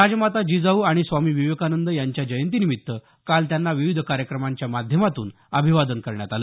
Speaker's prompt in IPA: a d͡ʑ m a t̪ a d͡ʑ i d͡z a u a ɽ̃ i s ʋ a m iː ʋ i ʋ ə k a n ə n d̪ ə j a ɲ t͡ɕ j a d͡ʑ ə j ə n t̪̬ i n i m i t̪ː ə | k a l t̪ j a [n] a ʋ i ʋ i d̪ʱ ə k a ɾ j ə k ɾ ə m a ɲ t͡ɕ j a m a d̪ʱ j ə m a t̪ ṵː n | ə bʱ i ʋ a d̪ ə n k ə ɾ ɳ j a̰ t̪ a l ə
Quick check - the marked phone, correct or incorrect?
incorrect